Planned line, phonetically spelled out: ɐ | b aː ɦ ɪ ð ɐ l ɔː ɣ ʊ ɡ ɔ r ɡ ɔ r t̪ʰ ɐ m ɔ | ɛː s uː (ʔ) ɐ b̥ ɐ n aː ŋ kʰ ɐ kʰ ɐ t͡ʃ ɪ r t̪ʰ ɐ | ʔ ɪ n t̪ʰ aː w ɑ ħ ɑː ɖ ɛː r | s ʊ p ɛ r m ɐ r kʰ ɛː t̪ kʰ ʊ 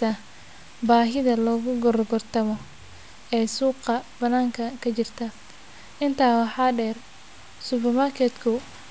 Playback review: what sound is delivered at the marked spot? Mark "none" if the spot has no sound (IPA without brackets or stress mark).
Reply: q